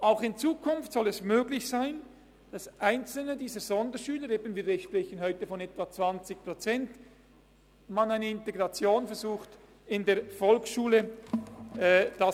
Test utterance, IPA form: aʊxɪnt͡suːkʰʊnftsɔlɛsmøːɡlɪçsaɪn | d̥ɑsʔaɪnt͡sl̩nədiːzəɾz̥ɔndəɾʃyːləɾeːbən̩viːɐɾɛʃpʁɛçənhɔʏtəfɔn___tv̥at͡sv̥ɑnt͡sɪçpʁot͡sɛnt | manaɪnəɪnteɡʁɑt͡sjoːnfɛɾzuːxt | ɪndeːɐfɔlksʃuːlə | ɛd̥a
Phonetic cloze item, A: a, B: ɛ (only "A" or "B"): B